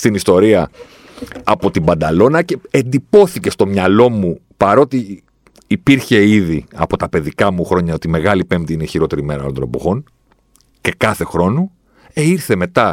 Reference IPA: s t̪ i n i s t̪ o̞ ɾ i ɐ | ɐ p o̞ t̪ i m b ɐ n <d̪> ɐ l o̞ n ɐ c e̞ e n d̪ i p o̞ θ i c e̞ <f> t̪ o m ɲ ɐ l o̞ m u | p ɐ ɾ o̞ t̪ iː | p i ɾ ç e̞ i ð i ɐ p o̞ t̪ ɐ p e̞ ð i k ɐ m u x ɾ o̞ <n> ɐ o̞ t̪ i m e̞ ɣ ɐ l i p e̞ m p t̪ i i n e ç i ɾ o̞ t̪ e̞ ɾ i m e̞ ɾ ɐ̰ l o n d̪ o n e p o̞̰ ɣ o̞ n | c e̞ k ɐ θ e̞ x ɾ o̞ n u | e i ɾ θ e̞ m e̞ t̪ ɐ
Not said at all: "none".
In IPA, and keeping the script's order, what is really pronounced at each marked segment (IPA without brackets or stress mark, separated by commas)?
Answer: d̪, s, ɲ